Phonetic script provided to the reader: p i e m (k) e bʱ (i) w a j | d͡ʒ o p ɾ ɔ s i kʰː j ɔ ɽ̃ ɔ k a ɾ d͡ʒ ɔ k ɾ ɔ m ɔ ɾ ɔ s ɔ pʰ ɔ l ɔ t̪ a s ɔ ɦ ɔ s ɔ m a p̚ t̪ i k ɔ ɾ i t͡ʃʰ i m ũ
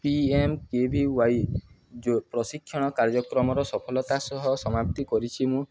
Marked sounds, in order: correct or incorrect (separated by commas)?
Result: correct, correct